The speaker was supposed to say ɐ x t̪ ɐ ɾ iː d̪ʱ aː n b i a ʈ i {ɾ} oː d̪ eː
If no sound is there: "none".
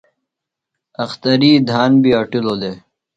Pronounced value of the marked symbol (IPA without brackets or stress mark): l